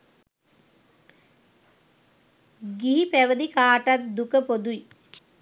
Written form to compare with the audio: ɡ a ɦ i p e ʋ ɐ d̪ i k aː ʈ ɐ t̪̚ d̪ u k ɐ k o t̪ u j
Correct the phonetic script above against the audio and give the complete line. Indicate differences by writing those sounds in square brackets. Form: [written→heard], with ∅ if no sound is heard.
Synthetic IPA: ɡ [a→i] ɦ i p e ʋ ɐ d̪ i k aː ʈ ɐ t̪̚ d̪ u k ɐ [k→p] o [t̪→d̪] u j